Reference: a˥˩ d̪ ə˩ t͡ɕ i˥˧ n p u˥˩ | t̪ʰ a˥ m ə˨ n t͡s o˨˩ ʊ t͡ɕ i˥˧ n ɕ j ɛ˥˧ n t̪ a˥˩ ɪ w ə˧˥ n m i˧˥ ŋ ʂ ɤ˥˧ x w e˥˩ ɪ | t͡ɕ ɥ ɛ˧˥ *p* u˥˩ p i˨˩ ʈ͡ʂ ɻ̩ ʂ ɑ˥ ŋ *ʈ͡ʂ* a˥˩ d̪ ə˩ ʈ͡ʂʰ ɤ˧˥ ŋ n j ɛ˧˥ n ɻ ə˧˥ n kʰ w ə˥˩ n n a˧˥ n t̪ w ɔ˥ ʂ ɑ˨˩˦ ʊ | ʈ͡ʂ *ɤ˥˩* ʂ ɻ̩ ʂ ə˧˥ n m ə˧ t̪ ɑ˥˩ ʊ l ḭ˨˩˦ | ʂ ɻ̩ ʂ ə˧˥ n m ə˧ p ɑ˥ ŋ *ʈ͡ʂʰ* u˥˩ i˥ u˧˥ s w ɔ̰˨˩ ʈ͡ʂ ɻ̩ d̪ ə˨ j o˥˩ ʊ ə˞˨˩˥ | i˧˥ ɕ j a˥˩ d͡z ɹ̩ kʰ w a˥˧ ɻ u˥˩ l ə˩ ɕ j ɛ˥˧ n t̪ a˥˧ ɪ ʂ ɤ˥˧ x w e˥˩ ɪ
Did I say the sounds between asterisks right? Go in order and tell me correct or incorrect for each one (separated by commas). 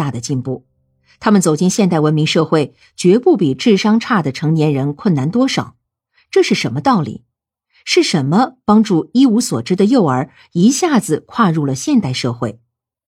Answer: correct, incorrect, incorrect, incorrect